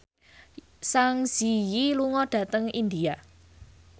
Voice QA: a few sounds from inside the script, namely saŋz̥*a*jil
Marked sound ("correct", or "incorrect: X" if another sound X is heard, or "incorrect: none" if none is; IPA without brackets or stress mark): incorrect: i